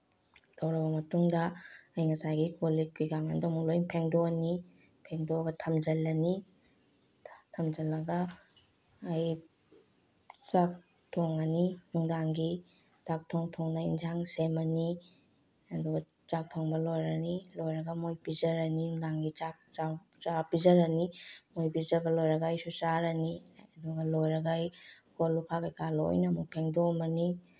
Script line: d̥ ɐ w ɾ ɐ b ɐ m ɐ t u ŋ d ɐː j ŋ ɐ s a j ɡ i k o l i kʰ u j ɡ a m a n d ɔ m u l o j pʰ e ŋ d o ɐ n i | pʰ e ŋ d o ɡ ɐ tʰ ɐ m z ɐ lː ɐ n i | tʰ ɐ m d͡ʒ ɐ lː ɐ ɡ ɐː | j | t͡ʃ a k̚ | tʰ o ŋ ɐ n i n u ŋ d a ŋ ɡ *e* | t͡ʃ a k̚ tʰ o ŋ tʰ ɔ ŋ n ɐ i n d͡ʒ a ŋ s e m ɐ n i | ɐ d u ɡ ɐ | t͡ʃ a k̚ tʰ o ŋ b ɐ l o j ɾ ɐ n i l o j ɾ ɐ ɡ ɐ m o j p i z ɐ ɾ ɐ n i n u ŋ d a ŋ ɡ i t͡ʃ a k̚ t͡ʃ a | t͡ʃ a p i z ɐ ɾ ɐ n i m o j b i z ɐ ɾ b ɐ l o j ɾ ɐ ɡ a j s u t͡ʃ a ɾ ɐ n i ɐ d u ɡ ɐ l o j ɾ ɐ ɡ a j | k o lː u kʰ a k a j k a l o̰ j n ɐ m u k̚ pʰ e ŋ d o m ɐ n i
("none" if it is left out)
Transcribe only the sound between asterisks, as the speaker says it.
i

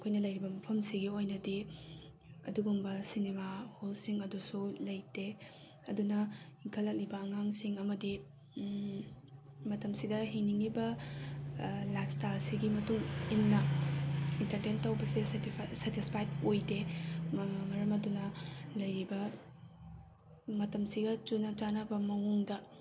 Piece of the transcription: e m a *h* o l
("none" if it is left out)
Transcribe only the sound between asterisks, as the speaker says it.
h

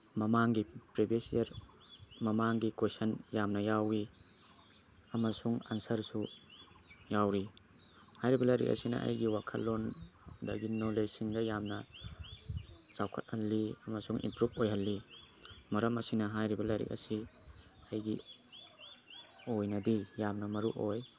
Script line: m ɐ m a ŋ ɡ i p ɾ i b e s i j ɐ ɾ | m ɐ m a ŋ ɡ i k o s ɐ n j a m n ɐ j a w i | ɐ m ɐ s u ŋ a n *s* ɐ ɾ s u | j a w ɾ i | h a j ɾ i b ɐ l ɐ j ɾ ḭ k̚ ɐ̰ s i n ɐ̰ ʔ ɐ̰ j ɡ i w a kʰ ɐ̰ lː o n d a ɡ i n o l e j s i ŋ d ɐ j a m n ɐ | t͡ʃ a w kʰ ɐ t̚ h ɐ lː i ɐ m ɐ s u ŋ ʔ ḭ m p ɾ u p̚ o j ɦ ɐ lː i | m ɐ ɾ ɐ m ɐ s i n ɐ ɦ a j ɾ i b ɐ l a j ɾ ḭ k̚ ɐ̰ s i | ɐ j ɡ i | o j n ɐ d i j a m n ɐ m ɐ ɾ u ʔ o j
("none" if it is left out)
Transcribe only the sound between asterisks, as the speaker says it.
s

